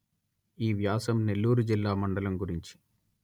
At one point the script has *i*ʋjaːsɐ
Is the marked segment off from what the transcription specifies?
yes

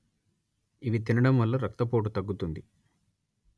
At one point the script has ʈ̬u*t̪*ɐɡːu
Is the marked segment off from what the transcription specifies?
no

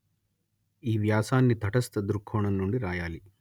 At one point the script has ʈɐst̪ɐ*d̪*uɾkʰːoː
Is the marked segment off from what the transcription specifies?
no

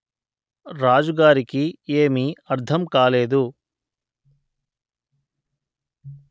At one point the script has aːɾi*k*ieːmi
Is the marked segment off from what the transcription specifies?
no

